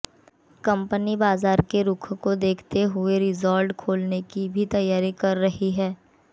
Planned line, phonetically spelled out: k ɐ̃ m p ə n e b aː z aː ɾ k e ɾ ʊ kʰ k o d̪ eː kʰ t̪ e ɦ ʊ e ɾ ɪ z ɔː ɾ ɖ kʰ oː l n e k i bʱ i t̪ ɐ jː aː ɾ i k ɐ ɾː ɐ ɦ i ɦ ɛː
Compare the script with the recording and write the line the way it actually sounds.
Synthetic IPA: k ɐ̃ m p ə n i b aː z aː ɾ k e ɾ ʊ kʰ k o d̪ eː kʰ t̪ e ɦ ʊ e ɾ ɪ z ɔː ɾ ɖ kʰ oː l n e k i bʱ i t̪ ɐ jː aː ɾ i k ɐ ɾː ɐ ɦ i ɦ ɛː